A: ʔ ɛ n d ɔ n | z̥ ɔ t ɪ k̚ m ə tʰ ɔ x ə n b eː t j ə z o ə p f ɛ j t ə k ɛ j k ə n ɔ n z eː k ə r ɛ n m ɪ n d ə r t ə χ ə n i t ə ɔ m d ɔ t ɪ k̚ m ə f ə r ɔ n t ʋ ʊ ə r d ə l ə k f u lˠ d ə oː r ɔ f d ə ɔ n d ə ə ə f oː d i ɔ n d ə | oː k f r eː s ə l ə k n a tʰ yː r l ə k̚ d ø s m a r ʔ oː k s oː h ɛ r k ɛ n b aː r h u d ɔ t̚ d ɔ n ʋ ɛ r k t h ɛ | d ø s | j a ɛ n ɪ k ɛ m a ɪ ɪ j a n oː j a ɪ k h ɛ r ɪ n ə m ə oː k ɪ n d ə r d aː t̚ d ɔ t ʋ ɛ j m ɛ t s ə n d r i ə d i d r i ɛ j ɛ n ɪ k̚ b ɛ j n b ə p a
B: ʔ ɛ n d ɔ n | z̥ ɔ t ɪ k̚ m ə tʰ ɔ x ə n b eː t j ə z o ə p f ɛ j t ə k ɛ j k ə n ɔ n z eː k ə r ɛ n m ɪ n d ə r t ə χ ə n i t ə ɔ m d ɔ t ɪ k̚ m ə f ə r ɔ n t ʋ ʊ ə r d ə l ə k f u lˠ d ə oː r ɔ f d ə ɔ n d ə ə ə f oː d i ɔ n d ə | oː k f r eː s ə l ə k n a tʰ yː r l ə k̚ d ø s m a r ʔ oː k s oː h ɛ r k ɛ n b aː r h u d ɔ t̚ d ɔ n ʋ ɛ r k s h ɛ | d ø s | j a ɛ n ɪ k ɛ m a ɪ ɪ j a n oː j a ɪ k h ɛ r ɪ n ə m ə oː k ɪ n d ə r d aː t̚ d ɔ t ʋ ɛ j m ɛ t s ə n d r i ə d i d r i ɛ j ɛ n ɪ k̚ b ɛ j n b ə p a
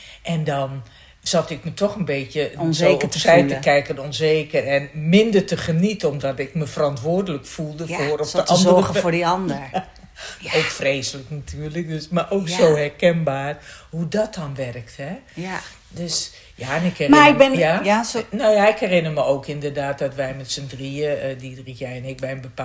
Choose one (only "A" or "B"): A